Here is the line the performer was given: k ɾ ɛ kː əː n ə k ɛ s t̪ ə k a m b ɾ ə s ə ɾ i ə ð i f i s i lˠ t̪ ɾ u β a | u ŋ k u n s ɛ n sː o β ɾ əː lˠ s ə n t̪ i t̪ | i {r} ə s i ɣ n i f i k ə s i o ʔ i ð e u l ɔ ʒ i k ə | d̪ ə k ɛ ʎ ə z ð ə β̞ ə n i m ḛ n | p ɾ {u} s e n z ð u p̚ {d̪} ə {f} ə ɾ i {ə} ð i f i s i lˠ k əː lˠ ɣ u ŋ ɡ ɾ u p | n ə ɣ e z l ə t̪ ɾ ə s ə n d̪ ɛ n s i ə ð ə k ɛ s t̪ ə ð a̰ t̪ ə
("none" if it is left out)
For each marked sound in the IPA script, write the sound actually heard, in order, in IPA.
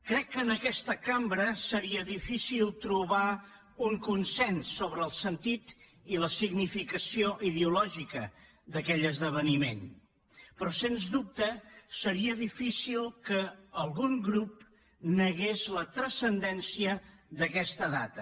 l, ɔ, t̪, s, ə

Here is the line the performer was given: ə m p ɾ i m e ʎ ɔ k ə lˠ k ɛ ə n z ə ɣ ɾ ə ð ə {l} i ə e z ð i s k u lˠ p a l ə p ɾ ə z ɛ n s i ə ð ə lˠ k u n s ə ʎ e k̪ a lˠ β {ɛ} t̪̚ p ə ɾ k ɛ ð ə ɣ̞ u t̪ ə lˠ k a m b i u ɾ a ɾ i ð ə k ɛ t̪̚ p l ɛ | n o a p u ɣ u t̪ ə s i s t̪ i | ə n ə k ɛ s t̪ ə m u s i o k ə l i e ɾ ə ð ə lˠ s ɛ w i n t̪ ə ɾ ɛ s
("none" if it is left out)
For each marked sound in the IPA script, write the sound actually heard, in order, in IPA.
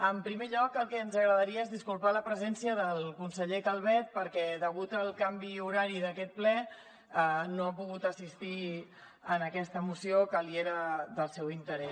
ɾ, ɛ

